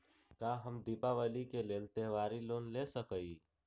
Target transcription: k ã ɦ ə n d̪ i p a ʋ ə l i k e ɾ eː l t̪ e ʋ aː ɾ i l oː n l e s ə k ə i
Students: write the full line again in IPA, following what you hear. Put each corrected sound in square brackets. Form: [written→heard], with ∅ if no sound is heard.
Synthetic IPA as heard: k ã ɦ ə [n→m] d̪ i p a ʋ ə l i k e [ɾ→l] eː l t̪ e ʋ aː ɾ i l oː n l e s ə k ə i